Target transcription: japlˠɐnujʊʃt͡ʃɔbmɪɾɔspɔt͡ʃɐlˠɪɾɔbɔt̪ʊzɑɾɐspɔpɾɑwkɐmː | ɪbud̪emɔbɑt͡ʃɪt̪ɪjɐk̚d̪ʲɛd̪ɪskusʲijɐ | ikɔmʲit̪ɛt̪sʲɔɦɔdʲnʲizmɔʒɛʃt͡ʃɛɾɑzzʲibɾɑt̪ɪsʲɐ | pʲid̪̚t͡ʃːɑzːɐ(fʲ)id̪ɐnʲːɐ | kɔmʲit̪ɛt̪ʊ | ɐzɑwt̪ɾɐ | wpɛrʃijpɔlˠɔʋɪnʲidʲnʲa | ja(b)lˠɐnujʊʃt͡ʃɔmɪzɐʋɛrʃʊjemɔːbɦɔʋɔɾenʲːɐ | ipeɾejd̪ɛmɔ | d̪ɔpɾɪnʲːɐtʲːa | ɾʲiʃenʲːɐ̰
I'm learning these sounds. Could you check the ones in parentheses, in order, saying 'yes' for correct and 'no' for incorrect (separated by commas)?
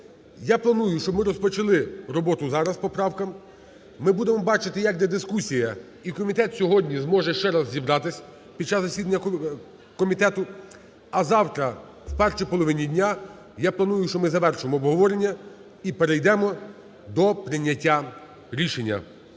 no, no